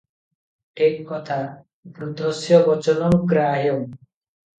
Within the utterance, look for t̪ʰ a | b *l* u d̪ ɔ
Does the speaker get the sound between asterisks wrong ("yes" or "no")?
yes